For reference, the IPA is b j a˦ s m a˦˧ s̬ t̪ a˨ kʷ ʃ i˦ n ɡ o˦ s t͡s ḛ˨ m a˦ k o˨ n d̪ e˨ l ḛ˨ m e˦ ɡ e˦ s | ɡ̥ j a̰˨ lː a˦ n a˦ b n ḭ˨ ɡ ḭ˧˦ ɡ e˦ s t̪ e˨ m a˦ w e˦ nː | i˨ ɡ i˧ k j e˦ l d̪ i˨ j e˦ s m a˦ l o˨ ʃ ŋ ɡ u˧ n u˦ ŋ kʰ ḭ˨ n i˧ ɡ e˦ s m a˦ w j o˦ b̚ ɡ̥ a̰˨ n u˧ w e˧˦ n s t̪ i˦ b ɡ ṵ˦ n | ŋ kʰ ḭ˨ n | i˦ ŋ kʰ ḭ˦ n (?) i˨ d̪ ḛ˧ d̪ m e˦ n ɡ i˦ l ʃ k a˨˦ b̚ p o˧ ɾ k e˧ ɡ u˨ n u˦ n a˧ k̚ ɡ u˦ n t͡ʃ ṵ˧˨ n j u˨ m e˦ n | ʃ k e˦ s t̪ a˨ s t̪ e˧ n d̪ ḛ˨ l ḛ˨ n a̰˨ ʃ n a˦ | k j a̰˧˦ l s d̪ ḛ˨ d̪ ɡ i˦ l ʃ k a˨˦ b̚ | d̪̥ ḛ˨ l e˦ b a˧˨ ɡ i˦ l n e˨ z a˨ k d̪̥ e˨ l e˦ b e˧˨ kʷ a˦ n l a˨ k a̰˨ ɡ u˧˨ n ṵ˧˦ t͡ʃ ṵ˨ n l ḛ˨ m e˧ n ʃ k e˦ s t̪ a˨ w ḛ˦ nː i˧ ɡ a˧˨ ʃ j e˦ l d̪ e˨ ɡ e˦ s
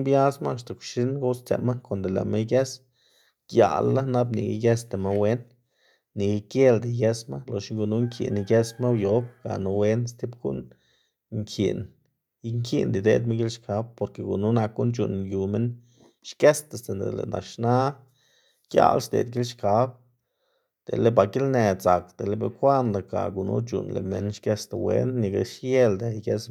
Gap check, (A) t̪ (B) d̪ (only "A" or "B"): B